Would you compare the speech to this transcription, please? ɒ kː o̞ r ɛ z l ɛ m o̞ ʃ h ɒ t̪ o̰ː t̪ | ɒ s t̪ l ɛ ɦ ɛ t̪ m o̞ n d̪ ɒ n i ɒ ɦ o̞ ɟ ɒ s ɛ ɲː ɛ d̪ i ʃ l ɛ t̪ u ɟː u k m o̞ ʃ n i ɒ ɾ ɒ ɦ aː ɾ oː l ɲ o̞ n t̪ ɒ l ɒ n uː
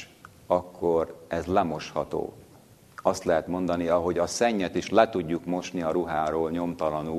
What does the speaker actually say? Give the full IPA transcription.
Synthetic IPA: ɒ kː o̞ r ɛ z l ɛ m o̞ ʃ h ɒ t̪ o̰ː | ɒ s t̪ l ɛ ɦ ɛ t̪ m o̞ n d̪ ɒ n i ɒ ɦ o̞ ɟ ɒ s ɛ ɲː ɛ t̪ i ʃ l ɛ t̪ u ɟː u k m o̞ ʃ n i ɒ ɾ u ɦ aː ɾ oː l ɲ o̞ m t̪ ɒ l ɒ n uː